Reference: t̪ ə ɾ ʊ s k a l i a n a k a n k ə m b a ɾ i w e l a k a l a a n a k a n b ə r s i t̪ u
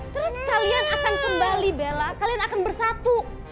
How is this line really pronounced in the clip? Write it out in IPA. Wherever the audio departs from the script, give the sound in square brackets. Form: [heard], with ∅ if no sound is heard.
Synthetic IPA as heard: t̪ ə ɾ ʊ s k a l i a n a k a n k ə m b a [l] i [b] e l a k a l [i] a n a k a n b ə r s [a] t̪ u

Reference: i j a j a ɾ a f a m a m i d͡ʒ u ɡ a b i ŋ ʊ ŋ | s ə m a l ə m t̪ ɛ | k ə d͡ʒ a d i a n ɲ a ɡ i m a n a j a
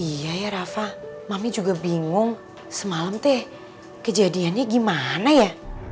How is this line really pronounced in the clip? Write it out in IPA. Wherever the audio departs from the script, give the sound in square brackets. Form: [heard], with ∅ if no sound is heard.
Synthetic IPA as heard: i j a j a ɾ a f a m a m i d͡ʒ u ɡ a b i ŋ ʊ ŋ | s ə m a l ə m t̪ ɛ | k ə d͡ʒ a d i a n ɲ a ɡ i m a n a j a

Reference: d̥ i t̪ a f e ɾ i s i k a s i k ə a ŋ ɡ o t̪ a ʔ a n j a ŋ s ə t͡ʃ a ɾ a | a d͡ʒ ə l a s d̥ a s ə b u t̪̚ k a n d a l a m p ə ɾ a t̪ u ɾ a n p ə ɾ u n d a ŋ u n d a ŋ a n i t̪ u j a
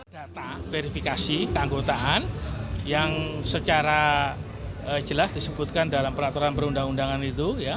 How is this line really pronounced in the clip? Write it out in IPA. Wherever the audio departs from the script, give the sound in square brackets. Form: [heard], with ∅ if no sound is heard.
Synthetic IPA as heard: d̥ [a] t̪ a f e ɾ i [f] i k a s i k ə a ŋ ɡ o t̪ a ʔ a n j a ŋ s ə t͡ʃ a ɾ a | [ə] d͡ʒ ə l a s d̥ [i] s ə b u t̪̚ k a n d a l a m p ə ɾ a t̪ u ɾ a n p ə ɾ u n d a ŋ u n d a ŋ a n i t̪ u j a

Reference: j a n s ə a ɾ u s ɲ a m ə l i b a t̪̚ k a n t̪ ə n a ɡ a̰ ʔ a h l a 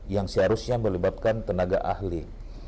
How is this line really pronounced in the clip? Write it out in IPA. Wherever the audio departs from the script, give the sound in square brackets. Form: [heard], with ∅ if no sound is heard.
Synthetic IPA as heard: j a [ŋ] s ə a ɾ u s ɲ a m ə l i b a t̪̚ k a n t̪ ə n a ɡ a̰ ʔ a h l [i]

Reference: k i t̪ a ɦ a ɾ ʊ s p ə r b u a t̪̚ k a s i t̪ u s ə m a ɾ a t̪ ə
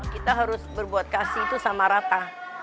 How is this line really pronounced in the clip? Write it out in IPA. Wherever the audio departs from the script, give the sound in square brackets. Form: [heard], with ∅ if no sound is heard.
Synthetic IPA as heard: k i t̪ a ɦ a ɾ ʊ s [b] ə r b u a t̪̚ k a s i t̪ u s [a] m a ɾ a t̪ [a]

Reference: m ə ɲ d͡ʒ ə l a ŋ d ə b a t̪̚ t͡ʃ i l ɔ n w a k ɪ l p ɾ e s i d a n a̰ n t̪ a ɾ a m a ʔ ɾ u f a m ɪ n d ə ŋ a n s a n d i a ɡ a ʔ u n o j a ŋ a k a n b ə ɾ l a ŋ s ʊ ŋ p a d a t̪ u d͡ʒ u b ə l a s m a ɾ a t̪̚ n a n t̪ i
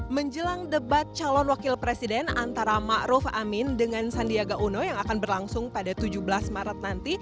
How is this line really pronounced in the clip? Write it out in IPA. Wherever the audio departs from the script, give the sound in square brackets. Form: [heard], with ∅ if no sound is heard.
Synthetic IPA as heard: m ə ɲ d͡ʒ ə l a ŋ d ə b a t̪̚ t͡ʃ [a] l ɔ n w a k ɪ l p ɾ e s i d [ɛ] n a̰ n t̪ a ɾ a m a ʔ ɾ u f a m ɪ n d ə ŋ a n s a n d i a ɡ a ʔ u n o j a ŋ a k a n b ə [r] l a ŋ s ʊ ŋ p a d a t̪ u d͡ʒ u b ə l a s m a ɾ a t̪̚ n a n t̪ i

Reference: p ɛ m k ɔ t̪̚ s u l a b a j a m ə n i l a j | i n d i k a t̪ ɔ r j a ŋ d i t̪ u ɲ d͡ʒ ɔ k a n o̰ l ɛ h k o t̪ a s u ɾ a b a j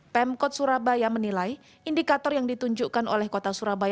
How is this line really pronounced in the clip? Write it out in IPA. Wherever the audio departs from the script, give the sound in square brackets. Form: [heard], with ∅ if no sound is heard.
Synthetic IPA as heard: p ɛ m k ɔ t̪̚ s u [ɾ] a b a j a m ə n i l a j | i n d i k a t̪ ɔ r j a ŋ d i t̪ u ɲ d͡ʒ [u] k a n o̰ l ɛ h k o t̪ a s u ɾ a b a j

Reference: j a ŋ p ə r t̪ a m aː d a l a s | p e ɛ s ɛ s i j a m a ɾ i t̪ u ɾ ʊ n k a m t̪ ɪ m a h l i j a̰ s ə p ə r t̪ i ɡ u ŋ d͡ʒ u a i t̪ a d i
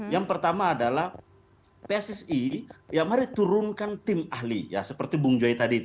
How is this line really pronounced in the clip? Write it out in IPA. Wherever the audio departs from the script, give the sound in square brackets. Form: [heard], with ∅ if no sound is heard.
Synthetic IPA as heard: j a ŋ p ə r t̪ a m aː d a l a [h] | p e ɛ s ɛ s i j a m a ɾ i t̪ u ɾ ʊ n k a [n] t̪ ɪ m a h l i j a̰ s ə p ə r t̪ i [b] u ŋ d͡ʒ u a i t̪ a d i

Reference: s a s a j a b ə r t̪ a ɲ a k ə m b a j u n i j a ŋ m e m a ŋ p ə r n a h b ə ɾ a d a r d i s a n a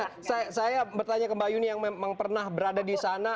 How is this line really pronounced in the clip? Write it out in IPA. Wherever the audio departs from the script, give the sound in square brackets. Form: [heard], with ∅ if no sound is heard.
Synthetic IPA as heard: s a s a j a b ə r t̪ a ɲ a k ə m b a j u n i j a ŋ m e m a ŋ p ə r n a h b ə ɾ a d a [∅] d i s a n a

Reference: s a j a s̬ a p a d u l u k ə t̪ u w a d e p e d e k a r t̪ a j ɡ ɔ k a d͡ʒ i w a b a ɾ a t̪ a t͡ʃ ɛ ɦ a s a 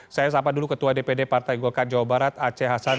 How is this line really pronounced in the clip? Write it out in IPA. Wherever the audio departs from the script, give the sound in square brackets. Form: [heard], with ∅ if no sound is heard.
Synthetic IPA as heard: s a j a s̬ a p a d u l u k ə t̪ u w a d e p e d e [p] a r t̪ a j ɡ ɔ k a d͡ʒ [a] w a b a ɾ a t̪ a t͡ʃ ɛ ɦ a s a

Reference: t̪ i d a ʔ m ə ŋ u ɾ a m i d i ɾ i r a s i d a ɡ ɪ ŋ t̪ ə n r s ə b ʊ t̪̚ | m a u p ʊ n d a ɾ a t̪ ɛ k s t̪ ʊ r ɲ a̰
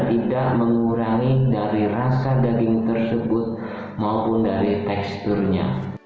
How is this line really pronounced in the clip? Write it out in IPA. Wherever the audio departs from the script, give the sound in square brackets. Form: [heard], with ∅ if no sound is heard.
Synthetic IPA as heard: t̪ i d a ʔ m ə ŋ u ɾ a [ŋ] i d [a] ɾ i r a s [a] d a ɡ ɪ ŋ t̪ ə [∅] r s ə b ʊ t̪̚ | m a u p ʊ n d a ɾ [i] t̪ ɛ k s t̪ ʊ r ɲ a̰

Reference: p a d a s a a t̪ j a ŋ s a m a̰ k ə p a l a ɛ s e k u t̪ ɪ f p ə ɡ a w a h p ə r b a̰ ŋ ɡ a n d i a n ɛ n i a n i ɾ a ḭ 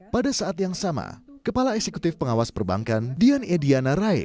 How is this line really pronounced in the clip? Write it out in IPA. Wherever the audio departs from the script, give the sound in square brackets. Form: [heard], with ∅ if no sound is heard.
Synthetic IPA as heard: p a d a s a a t̪ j a ŋ s a m a̰ k ə p a l a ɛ s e k u t̪ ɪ f p ə [ŋ] a w a [s] p ə r b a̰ ŋ [k] a n d i a n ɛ [d] i a n [a] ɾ a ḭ

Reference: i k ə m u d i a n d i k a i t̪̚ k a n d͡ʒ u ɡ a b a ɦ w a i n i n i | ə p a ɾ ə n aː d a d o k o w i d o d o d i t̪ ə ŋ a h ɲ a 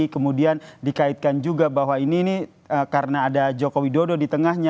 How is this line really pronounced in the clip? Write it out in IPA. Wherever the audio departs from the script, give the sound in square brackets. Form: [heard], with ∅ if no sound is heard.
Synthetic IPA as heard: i k ə m u d i a n d i k a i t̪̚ k a n d͡ʒ u ɡ a b a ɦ w a i n i n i | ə [k] a ɾ ə n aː d a [d͡ʒ] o k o w i d o d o d i t̪ ə ŋ a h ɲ a

